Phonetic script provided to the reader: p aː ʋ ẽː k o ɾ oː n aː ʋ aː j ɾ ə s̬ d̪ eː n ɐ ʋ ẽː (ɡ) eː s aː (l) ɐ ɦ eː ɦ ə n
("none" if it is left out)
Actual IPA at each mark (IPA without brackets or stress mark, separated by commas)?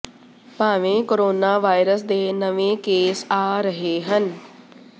k, ɾ